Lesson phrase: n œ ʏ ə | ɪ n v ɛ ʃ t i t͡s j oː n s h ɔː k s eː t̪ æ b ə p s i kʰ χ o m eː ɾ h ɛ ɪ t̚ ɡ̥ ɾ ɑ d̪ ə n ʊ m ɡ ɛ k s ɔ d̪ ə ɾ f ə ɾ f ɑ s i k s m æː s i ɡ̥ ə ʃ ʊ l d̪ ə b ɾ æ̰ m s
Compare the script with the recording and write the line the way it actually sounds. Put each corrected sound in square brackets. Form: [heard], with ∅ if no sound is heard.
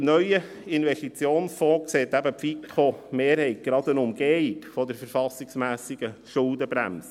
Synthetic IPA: n œ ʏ ə | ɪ n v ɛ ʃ t i t͡s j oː n s [f] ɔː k s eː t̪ æ b ə p [f] i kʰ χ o m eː ɾ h ɛ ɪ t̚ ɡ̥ ɾ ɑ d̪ ə n ʊ m ɡ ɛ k [f] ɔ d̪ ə ɾ f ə ɾ f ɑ s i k s m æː s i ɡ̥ ə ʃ ʊ l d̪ ə b ɾ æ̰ m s

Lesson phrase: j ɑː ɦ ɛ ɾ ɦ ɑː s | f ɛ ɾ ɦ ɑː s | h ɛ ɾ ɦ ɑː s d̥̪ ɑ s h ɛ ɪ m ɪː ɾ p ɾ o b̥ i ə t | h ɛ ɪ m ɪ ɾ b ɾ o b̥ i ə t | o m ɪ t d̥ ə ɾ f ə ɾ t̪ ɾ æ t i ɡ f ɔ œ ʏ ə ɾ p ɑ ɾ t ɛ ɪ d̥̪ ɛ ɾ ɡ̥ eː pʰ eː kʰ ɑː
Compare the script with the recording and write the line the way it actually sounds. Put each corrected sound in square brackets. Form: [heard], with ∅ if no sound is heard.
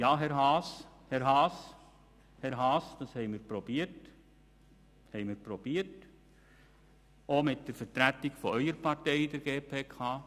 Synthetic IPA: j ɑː ɦ ɛ ɾ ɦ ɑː s | [h] ɛ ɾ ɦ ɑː s | h ɛ ɾ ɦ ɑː s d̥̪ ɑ s h ɛ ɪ m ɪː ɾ p ɾ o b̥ i ə t | h ɛ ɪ m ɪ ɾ [p] ɾ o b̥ i ə t | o m ɪ t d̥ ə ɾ f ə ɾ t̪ ɾ æ t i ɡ f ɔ œ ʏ ə ɾ p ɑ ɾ t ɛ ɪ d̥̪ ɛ ɾ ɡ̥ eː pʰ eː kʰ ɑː

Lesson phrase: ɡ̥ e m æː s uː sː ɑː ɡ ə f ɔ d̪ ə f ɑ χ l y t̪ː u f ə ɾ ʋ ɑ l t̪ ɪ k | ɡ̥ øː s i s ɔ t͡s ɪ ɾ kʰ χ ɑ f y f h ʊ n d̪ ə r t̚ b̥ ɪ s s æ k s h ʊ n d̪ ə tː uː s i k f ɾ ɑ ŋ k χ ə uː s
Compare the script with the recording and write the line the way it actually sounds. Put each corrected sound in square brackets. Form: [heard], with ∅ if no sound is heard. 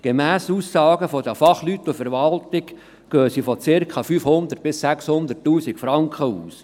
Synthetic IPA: ɡ̥ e m æː s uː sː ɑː ɡ ə f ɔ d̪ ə f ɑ χ l y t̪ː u f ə ɾ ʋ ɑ l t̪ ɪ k | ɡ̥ øː s i [f] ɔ t͡s ɪ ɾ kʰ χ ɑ f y f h ʊ n d̪ ə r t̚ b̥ ɪ s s æ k s h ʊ n d̪ ə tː uː s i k f ɾ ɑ ŋ k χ ə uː s

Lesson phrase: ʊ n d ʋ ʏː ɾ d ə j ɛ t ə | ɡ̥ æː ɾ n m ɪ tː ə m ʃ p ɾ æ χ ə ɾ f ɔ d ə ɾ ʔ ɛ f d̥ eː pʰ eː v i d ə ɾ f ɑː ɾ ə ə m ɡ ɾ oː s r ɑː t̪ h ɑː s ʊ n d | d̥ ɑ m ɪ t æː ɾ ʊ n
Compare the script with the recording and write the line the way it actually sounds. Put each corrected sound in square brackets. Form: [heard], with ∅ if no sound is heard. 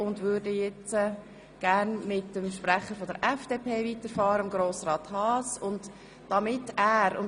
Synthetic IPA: ʊ n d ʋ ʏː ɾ d ə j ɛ [t͡s] ə | ɡ̥ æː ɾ n m ɪ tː ə m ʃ p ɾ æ χ ə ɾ f ɔ d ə ɾ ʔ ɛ f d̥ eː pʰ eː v i [t] ə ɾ f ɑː ɾ ə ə m ɡ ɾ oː s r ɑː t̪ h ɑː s ʊ n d | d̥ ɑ m ɪ t æː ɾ ʊ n

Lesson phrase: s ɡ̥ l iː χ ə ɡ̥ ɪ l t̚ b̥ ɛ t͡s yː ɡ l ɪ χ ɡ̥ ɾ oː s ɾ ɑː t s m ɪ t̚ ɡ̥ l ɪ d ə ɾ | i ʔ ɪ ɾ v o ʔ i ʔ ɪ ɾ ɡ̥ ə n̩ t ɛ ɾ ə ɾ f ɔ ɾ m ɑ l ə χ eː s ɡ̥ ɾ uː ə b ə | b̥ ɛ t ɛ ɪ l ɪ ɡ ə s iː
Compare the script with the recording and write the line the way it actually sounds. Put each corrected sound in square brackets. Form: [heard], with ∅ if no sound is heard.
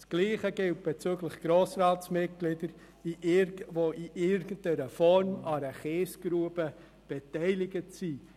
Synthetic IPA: s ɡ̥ l iː χ ə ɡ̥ ɪ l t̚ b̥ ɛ t͡s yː ɡ l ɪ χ ɡ̥ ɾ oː s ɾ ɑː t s m ɪ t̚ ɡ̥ l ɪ d ə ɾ | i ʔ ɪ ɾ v o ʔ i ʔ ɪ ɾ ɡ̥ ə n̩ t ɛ ɾ ə [∅] f ɔ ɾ m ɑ [ɾ] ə χ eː s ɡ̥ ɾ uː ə b ə | b̥ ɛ t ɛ ɪ l ɪ ɡ ə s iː

